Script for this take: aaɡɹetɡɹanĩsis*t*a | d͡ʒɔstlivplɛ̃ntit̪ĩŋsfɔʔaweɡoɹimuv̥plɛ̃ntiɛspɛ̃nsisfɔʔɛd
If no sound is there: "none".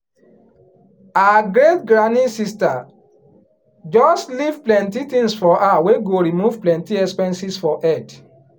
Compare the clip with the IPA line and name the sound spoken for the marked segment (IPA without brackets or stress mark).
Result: t